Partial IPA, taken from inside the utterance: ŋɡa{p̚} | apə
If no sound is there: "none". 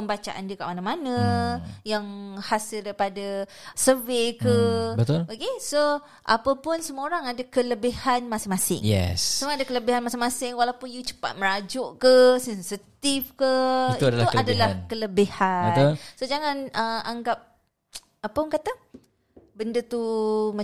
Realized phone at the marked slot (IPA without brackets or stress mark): p̚